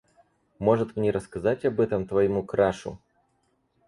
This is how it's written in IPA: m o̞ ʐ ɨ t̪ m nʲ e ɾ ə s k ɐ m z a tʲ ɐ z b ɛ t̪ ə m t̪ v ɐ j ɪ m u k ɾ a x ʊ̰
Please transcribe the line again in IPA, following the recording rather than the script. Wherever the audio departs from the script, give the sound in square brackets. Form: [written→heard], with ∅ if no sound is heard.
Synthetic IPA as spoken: m o̞ ʐ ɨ t̪ m nʲ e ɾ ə s k ɐ [m→∅] z a tʲ ɐ [z→∅] b ɛ t̪ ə m t̪ v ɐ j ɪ m u k ɾ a [x→ʂ] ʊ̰